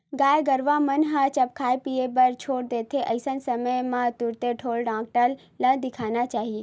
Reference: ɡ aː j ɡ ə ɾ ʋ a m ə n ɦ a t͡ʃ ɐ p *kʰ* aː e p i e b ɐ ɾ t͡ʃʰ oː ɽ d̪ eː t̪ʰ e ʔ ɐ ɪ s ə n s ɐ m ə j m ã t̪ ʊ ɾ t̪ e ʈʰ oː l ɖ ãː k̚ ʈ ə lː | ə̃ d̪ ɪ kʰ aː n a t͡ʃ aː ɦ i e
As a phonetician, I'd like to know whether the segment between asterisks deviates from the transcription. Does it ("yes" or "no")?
no